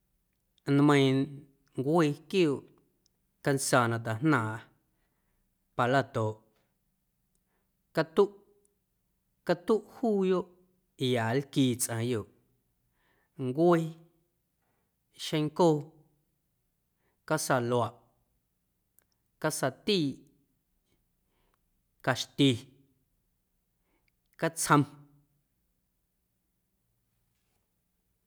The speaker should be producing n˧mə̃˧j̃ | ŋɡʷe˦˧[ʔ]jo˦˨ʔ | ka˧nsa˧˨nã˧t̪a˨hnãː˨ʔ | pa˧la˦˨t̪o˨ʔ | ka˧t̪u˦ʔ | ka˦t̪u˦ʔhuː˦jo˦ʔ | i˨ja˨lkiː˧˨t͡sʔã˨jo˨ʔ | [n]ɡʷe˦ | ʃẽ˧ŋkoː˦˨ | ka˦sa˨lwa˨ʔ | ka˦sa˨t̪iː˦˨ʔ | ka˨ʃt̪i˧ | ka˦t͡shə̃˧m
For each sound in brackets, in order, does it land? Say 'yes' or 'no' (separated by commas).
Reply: no, no